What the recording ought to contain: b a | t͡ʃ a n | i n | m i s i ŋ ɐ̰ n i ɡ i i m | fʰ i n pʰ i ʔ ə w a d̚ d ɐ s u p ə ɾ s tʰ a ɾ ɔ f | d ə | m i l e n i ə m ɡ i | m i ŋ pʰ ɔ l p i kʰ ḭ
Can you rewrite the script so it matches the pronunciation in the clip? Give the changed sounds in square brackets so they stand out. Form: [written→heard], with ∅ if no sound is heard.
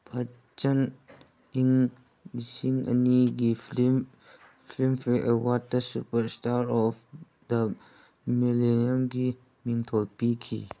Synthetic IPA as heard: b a | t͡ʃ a n | i [n→ŋ] | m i s i ŋ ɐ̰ n i ɡ i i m | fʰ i [n→m] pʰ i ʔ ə w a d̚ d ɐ s u p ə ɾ s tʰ a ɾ ɔ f | d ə | m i l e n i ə m ɡ i | m i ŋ [pʰ→tʰ] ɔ l p i kʰ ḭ